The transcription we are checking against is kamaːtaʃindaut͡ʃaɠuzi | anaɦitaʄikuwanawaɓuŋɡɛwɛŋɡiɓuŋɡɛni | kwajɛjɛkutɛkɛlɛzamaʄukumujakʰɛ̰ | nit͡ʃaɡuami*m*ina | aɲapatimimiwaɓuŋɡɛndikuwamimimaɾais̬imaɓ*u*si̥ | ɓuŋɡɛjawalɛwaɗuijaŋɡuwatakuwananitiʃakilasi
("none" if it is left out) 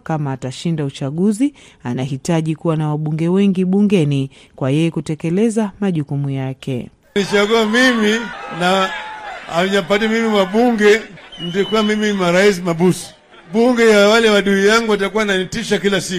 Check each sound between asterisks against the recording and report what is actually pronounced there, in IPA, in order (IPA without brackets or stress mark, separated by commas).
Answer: m, u